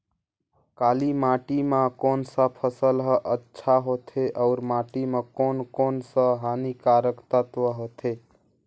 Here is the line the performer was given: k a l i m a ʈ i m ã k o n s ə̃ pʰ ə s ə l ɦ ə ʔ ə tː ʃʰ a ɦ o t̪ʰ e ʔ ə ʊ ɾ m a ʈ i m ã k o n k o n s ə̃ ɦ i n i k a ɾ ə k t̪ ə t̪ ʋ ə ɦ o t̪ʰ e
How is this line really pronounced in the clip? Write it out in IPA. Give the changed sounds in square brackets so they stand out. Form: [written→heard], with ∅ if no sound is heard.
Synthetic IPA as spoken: k a l i m a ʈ i m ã k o n s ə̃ pʰ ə s ə l ɦ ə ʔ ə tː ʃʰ a ɦ o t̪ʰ e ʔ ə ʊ ɾ m a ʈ i m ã k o n k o n s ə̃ ɦ [i→a] n i k a ɾ ə k t̪ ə t̪ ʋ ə ɦ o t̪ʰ e